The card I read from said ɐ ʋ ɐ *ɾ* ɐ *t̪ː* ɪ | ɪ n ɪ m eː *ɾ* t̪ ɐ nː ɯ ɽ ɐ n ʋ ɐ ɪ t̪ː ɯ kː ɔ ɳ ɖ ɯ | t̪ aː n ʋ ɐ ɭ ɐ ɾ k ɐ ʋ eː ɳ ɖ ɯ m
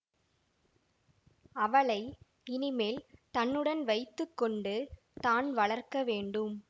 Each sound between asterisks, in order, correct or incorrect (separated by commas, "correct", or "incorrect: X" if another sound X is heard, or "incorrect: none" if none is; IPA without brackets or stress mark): incorrect: ɭ, incorrect: none, incorrect: l